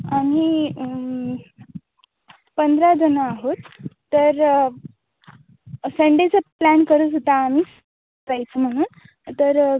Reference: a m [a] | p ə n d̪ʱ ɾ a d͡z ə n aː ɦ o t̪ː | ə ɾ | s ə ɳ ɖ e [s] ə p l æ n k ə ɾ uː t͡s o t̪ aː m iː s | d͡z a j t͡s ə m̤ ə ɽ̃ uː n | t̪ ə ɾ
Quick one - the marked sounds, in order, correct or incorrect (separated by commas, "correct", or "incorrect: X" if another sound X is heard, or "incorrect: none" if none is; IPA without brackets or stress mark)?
incorrect: i, incorrect: t͡s